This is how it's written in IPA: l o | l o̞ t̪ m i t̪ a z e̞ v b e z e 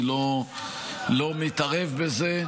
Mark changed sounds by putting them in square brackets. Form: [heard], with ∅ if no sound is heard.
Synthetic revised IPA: l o | l o̞ [∅] m i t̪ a [ʁ] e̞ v b e z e